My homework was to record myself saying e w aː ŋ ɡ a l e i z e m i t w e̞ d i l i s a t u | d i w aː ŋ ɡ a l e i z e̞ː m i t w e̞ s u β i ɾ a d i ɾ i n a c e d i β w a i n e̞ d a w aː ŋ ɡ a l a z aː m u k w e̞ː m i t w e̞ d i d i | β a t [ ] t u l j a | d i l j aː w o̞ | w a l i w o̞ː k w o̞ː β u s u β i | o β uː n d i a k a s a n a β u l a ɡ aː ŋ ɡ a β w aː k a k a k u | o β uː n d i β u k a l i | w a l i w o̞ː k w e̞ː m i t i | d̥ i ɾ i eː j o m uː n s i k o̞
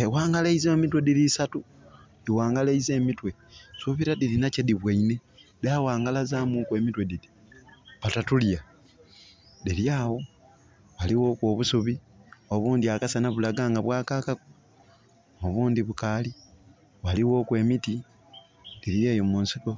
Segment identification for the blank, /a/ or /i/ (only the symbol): a